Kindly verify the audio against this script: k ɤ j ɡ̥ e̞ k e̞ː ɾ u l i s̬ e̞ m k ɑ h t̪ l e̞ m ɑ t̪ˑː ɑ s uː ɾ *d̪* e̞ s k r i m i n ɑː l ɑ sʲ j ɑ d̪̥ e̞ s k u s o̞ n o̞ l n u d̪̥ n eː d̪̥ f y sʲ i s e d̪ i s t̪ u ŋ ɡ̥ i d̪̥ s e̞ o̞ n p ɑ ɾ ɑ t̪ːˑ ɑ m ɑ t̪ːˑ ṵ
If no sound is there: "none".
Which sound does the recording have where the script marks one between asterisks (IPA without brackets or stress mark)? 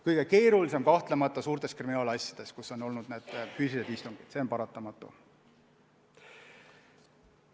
t̪